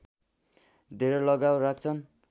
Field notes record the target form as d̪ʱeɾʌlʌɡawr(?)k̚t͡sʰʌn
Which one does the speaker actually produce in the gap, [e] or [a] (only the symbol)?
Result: a